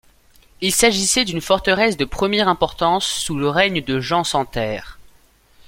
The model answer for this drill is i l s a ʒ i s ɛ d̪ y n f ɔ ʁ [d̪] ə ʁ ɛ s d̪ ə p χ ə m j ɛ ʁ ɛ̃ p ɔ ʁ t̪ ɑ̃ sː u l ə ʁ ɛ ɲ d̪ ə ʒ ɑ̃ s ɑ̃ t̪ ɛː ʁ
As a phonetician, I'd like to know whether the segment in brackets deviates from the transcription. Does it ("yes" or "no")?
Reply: yes